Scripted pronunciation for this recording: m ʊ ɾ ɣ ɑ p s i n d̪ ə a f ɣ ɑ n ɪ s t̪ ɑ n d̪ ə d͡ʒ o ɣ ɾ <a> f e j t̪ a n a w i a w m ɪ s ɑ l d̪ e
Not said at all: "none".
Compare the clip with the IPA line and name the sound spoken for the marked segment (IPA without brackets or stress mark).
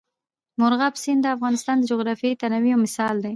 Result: ɑ